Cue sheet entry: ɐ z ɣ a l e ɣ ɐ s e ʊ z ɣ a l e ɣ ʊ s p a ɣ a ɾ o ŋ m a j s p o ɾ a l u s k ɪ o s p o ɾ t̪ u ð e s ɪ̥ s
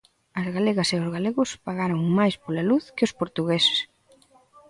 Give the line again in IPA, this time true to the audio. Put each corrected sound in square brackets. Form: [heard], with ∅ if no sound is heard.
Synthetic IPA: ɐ z ɣ a l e ɣ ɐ s e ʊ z ɣ a l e ɣ ʊ s p a ɣ a ɾ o ŋ m a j s p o [l] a l u [θ] k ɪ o s p o ɾ t̪ u [ɣ] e s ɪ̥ s